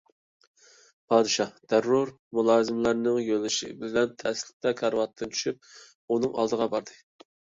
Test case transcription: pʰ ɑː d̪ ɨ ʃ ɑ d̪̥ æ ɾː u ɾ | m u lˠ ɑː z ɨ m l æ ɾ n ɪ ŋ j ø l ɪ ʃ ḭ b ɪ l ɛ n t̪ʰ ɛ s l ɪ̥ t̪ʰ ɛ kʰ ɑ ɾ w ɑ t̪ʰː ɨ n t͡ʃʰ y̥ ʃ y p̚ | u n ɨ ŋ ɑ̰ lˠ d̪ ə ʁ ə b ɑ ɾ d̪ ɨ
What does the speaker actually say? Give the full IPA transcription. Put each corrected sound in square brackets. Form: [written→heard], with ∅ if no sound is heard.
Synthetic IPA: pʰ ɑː d̪ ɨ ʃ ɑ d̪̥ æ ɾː u ɾ | m u lˠ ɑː z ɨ m l æ ɾ n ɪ ŋ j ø l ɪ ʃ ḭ b ɪ l ɛ n t̪ʰ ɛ s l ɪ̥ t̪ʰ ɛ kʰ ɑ ɾ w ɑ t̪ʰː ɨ n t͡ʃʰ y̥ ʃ y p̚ | u n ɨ ŋ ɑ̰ lˠ d̪ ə ʁ [ə→ɑ] b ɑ ɾ d̪ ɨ